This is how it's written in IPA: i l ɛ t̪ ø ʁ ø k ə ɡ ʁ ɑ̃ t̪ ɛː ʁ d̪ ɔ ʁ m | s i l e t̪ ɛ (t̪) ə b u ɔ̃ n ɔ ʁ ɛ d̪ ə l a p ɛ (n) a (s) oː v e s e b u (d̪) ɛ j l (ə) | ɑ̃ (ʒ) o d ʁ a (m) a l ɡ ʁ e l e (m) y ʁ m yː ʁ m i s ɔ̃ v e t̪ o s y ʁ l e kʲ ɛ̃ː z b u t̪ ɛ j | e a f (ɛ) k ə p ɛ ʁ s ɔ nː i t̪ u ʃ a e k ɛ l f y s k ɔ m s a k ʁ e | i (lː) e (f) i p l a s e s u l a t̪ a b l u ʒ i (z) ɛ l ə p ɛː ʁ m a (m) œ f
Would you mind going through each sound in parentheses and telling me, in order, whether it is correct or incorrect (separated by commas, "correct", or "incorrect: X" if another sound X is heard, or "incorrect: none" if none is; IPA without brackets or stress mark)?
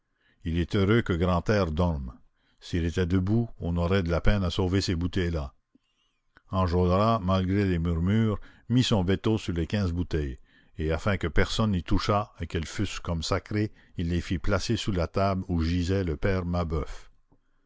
incorrect: d̪, correct, correct, incorrect: t̪, incorrect: a, correct, correct, correct, incorrect: ɛ̃, correct, correct, correct, incorrect: b